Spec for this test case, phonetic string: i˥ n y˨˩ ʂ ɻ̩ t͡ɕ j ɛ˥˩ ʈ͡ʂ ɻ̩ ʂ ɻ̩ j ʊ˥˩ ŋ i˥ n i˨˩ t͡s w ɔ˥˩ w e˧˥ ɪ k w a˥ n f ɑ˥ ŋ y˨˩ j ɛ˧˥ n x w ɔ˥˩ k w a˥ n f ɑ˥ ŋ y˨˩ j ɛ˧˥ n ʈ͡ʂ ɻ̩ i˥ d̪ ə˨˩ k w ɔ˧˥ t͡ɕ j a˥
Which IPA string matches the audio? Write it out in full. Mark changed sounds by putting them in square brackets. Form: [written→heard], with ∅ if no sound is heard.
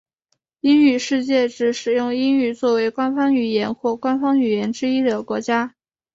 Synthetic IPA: i˥ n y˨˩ ʂ ɻ̩ t͡ɕ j ɛ˥˩ ʈ͡ʂ ɻ̩ ʂ ɻ̩ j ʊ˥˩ ŋ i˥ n [i˨˩→y˨˩] t͡s w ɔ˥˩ w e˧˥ ɪ k w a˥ n f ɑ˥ ŋ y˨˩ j ɛ˧˥ n x w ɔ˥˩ k w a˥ n f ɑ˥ ŋ y˨˩ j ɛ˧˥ n ʈ͡ʂ ɻ̩ i˥ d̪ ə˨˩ k w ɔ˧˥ t͡ɕ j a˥